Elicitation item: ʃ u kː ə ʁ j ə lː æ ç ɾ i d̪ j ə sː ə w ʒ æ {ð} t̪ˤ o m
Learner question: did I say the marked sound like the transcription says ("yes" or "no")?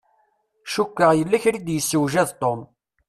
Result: yes